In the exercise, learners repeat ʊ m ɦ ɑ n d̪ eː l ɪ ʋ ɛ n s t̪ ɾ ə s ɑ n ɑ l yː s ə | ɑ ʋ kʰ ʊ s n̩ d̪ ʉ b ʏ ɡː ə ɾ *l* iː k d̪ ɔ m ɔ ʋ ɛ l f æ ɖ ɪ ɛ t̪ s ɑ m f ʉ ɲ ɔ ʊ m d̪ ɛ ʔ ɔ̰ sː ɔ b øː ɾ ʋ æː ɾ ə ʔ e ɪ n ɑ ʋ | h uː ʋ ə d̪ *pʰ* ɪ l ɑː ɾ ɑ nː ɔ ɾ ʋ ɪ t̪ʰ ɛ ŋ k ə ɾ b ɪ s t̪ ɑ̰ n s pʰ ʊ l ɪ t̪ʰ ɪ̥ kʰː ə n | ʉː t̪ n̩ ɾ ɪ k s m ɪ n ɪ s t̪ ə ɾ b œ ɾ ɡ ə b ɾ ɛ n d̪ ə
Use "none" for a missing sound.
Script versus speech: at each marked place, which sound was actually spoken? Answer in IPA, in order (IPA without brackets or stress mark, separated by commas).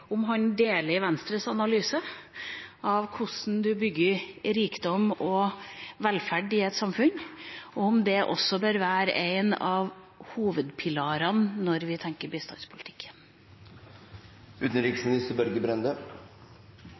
ɾ, pʰ